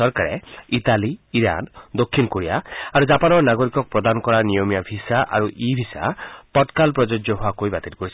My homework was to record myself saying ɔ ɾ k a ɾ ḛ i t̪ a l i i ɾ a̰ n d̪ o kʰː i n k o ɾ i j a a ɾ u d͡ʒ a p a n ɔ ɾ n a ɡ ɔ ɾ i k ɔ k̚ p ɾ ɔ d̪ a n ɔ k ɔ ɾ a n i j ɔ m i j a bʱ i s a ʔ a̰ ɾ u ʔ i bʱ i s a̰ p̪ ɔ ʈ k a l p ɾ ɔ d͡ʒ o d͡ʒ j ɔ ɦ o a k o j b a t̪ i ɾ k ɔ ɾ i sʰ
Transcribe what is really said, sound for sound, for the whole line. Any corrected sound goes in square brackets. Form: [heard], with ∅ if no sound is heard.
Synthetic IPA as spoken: ɔ ɾ k a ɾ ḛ i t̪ a l i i ɾ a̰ n d̪ o kʰː i n k o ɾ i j a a ɾ u d͡ʒ a p a n ɔ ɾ n a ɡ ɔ ɾ i k ɔ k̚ p ɾ ɔ d̪ a n ɔ k ɔ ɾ a n i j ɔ m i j a bʱ i s a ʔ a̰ ɾ u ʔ i bʱ i s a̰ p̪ ɔ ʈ k a l p ɾ ɔ d͡ʒ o d͡ʒ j ɔ ɦ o a k o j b a t̪ i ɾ k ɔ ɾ i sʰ